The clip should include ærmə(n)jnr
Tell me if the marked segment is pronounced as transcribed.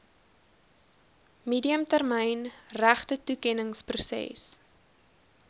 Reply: no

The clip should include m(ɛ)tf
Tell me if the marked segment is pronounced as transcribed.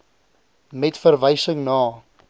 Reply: yes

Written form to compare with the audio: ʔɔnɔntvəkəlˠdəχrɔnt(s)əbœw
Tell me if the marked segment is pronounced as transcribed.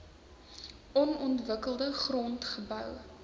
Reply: no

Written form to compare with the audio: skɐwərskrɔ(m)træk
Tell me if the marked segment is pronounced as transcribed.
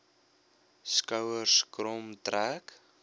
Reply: yes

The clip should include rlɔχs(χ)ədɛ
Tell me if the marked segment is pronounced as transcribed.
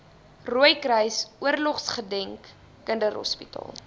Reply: yes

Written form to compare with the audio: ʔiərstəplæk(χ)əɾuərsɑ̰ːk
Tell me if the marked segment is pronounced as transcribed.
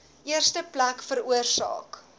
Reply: no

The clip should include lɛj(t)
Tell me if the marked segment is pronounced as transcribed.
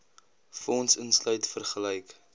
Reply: no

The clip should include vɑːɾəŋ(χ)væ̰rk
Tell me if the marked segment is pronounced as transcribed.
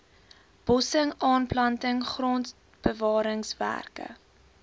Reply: no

